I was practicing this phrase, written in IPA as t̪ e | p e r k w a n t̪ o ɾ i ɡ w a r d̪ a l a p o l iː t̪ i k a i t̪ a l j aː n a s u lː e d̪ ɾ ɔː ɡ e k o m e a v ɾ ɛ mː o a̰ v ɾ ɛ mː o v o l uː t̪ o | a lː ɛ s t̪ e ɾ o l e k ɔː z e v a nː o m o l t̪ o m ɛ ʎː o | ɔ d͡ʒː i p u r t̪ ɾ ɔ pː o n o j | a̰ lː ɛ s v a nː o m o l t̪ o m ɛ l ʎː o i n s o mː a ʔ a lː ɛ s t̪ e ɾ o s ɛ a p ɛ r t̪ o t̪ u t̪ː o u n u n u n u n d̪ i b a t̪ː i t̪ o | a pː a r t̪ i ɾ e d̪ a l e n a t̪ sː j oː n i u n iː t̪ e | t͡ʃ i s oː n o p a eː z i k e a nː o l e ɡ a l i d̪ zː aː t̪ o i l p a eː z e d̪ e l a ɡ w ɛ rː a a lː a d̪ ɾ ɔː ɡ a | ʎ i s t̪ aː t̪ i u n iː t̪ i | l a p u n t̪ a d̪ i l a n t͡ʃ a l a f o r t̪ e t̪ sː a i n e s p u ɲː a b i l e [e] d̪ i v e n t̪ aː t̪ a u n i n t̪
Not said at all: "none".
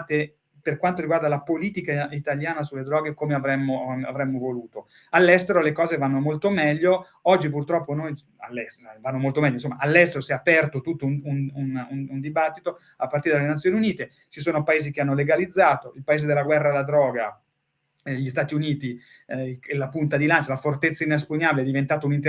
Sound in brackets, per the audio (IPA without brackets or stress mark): ɛ